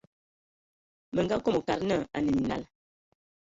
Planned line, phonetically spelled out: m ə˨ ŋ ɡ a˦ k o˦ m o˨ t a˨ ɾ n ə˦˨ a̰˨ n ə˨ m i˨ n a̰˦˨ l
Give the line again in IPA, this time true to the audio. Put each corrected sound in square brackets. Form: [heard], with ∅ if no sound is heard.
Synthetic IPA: m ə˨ ŋ ɡ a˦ k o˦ m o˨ [k] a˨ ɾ n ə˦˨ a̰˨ n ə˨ m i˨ n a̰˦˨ l